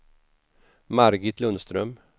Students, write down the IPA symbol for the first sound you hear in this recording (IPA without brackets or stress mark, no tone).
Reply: m